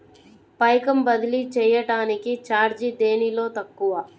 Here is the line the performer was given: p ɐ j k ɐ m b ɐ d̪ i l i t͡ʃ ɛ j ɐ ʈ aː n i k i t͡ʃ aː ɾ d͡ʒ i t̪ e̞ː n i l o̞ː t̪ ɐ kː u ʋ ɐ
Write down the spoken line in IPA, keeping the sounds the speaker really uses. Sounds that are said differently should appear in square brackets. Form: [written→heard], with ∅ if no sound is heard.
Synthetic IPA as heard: p ɐ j k ɐ m b ɐ d̪ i l i t͡ʃ [ɛ→ɛː] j ɐ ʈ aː n i k i t͡ʃ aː ɾ d͡ʒ i [t̪→d̪] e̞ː n i l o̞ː t̪ ɐ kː u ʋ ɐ